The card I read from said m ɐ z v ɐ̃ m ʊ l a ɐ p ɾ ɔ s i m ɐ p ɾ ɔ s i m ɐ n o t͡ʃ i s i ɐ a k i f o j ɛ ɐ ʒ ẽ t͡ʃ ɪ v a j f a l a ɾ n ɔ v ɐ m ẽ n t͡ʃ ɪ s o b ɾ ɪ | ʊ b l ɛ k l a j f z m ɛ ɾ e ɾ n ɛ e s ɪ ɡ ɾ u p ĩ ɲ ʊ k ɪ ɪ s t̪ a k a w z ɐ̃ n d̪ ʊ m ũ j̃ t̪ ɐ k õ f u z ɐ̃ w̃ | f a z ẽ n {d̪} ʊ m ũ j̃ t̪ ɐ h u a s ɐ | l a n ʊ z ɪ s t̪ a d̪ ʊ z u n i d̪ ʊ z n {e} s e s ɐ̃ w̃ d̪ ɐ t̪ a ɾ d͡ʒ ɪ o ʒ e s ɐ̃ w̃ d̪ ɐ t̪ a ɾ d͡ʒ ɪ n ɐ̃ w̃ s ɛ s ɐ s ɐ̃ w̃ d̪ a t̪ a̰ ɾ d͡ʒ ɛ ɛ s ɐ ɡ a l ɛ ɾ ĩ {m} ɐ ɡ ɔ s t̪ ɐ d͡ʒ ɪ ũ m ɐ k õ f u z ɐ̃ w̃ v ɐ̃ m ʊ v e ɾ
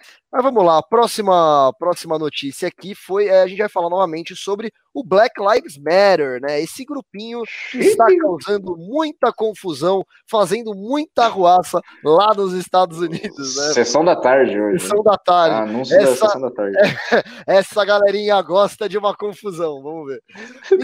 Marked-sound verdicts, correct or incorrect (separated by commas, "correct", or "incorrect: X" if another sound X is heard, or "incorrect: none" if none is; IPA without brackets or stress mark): correct, incorrect: ɛ, incorrect: ɲ